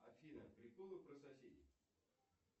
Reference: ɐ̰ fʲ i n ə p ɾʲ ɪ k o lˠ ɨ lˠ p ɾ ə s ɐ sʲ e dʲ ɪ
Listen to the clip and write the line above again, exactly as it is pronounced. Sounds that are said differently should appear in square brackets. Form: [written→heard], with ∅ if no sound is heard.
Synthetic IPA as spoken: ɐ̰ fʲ i n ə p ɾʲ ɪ k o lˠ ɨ [lˠ→∅] p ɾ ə s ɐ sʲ e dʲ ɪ